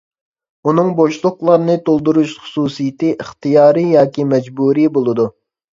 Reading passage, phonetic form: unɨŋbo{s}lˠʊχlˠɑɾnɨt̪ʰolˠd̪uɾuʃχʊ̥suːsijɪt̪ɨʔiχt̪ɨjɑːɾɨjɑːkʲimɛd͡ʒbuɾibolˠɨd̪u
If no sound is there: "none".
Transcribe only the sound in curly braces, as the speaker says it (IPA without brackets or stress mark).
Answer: ʃ